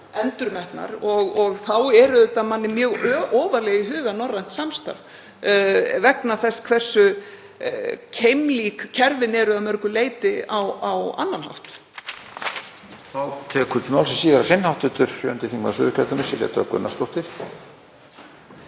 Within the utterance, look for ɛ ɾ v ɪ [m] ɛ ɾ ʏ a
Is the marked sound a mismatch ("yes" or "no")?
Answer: yes